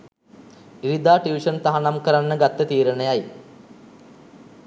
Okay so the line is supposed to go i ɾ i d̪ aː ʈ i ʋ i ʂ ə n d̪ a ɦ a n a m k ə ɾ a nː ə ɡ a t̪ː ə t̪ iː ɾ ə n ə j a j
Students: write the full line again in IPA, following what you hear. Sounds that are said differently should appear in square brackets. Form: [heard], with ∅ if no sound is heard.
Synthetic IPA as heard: i ɾ i d̪ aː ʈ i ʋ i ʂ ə n [t̪] a ɦ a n a m k ə ɾ a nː ə ɡ a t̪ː ə t̪ iː ɾ ə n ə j a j

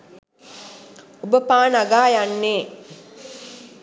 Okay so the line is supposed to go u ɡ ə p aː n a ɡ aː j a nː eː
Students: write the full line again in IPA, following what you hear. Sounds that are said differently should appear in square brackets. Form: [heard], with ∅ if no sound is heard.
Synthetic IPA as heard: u [b] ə p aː n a ɡ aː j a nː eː

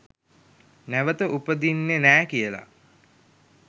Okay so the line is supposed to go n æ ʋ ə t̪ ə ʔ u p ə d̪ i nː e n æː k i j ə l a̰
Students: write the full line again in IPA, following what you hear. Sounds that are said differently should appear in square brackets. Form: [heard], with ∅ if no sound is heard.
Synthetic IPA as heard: n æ ʋ ə t̪ ə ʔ u p ə d̪ i nː e n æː k i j ə l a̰

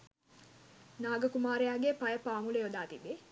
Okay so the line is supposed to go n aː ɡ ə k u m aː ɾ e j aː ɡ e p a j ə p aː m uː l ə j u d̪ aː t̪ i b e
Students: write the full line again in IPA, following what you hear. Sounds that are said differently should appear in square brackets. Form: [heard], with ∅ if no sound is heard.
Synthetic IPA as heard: n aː ɡ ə k u m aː ɾ e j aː ɡ e p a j ə p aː m [u] l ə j [o] d̪ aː t̪ i b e

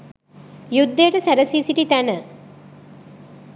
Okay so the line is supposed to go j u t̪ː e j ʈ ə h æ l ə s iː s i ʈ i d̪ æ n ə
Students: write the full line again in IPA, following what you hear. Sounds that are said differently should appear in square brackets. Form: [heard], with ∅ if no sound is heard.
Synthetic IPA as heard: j u [d̪ː] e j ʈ ə [s] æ [ɾ] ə s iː s i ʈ i [t̪] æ n ə

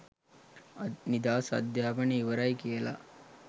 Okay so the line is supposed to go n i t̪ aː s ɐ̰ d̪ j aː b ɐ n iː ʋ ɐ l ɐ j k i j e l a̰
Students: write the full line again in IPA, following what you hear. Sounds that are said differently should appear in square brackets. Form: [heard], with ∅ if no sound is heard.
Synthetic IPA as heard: n i [d̪] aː s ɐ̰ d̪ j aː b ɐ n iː ʋ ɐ [ɾ] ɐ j k i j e l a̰

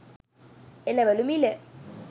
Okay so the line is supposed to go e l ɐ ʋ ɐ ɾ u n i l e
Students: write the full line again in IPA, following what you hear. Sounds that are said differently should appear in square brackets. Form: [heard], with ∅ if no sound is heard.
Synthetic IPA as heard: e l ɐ ʋ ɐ [l] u [m] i l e

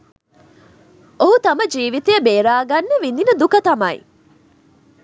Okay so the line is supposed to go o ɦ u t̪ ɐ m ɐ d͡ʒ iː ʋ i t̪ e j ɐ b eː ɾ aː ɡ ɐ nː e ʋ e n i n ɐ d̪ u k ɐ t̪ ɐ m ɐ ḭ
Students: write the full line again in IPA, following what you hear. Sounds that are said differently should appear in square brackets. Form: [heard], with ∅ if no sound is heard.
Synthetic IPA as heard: o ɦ u t̪ ɐ m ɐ d͡ʒ iː ʋ i t̪ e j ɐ b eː ɾ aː ɡ ɐ nː e ʋ [i] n i n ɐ d̪ u k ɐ t̪ ɐ m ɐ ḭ

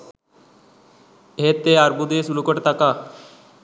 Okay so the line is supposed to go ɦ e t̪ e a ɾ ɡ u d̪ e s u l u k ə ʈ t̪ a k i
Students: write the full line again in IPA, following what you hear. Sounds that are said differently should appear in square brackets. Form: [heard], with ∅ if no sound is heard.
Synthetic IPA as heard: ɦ e t̪ e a ɾ [b] u d̪ e s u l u k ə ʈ t̪ a k [a]

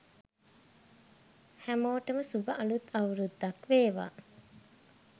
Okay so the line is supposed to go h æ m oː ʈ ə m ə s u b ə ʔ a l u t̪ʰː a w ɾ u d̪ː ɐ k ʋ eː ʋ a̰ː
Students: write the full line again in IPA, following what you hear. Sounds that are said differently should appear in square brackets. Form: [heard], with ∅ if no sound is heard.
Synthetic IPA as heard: h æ m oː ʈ ə m ə s u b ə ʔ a l u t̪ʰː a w ɾ u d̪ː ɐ k ʋ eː ʋ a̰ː

